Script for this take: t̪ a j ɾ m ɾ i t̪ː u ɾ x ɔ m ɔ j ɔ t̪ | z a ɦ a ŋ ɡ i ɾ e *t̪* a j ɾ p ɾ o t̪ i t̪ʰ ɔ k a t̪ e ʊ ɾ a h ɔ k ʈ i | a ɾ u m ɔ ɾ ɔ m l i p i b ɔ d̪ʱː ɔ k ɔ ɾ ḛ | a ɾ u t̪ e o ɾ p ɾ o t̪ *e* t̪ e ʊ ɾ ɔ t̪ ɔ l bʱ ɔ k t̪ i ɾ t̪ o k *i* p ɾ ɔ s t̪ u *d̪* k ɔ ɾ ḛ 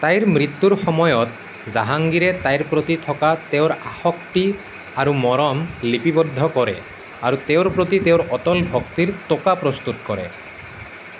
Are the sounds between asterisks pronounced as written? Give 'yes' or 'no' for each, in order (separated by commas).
yes, no, no, no